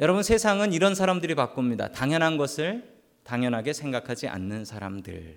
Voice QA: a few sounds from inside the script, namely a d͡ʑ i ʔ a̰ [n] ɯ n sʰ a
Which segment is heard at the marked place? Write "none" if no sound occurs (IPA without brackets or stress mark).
nː